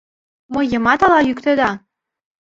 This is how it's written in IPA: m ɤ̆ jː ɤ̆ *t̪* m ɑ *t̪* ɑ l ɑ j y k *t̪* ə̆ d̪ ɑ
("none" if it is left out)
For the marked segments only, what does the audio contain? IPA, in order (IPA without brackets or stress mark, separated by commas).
none, t̪, t̪